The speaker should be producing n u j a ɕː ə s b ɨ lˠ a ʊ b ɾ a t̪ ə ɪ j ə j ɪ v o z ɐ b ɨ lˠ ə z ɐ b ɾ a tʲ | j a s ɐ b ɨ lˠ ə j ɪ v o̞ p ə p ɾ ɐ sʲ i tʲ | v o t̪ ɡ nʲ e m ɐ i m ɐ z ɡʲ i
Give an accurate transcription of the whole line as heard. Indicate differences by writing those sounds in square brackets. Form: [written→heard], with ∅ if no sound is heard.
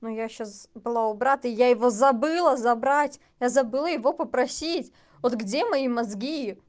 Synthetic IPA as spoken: n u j a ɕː [ə→a] s b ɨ lˠ a ʊ b ɾ a t̪ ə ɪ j [ə→a] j ɪ v o z ɐ b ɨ lˠ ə z ɐ b ɾ a tʲ | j a [s→z] ɐ b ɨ lˠ ə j ɪ v o̞ p ə p ɾ ɐ sʲ i tʲ | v o t̪ ɡ [nʲ→dʲ] e m ɐ i m ɐ z ɡʲ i